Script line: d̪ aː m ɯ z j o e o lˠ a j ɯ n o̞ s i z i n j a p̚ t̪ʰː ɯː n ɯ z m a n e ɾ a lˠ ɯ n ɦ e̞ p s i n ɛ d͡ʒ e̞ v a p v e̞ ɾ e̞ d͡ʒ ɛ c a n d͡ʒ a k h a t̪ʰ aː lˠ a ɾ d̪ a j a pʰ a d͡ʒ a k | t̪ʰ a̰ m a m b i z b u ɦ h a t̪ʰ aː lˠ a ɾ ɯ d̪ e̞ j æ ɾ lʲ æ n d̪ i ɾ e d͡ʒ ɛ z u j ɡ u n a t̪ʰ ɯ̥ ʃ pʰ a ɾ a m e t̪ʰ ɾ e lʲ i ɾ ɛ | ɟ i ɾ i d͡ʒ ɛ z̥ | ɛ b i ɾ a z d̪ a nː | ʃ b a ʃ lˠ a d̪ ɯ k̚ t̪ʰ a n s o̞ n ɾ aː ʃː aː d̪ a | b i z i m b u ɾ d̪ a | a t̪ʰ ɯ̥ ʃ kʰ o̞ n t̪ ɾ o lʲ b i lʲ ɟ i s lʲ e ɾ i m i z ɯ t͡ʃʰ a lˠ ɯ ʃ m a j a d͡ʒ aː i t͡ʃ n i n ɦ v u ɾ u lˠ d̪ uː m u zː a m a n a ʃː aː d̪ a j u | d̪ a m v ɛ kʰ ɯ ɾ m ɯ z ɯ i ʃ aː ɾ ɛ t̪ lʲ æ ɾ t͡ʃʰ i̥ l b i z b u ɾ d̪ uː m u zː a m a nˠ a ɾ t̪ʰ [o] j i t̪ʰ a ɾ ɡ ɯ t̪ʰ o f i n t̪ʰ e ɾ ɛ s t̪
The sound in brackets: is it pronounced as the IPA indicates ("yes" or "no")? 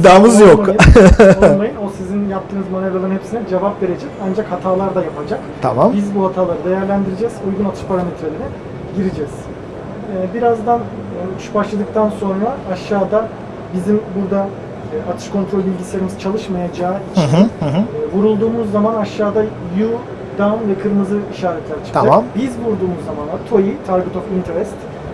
yes